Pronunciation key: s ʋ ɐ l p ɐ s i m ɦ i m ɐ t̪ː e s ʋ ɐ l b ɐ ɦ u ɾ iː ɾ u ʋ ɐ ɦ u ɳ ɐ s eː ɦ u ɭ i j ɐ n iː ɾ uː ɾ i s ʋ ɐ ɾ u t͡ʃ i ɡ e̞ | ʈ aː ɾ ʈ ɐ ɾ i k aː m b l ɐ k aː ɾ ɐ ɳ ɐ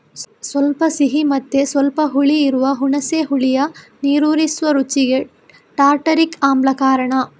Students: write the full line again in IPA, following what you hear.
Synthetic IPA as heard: s ʋ ɐ l p ɐ s i ɦ i m ɐ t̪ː e s ʋ ɐ l p ɐ ɦ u ɭ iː ɾ u ʋ ɐ ɦ u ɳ ɐ s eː ɦ u ɭ i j ɐ n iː ɾ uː ɾ i s ʋ ɐ ɾ u t͡ʃ i ɡ e̞ | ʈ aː ɾ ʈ ɐ ɾ i k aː m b l ɐ k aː ɾ ɐ ɳ ɐ